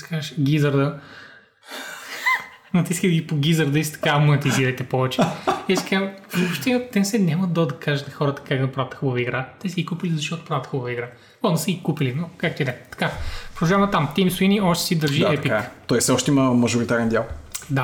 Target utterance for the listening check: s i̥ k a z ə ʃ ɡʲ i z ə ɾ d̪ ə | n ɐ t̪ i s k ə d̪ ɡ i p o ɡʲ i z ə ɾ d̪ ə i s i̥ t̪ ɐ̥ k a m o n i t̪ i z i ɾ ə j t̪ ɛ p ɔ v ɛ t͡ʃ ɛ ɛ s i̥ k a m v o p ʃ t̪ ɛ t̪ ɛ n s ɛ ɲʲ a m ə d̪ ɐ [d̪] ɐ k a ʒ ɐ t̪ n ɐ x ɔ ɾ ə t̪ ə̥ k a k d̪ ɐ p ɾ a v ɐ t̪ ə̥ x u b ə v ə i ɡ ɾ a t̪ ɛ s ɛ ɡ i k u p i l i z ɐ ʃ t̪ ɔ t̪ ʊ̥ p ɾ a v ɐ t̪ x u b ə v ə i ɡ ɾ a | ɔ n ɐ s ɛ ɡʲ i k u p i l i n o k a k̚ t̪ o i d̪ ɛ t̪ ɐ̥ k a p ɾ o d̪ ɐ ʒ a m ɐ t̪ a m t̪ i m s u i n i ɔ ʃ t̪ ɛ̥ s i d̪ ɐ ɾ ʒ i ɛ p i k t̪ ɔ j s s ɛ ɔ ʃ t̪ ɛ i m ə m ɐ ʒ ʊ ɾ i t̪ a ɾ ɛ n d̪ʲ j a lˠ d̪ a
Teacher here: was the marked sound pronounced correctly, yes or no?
yes